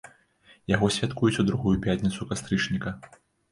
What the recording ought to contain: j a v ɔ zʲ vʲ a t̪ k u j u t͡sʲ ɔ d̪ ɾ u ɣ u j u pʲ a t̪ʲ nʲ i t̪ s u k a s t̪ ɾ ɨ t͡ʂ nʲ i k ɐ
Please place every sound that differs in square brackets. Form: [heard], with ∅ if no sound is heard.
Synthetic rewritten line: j a [ɣ] ɔ [sʲ] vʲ a t̪ k u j u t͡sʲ [u] d̪ ɾ u ɣ u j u pʲ a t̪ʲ nʲ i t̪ s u k a s t̪ ɾ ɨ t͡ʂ nʲ i k ɐ